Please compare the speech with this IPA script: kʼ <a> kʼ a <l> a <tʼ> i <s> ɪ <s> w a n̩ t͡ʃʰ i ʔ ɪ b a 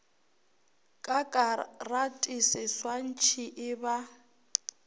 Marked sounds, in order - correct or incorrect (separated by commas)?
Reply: correct, incorrect, correct, correct, correct